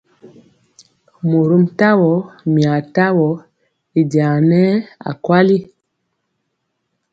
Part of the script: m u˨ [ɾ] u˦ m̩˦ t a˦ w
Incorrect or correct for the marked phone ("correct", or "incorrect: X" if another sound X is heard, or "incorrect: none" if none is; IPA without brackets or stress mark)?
correct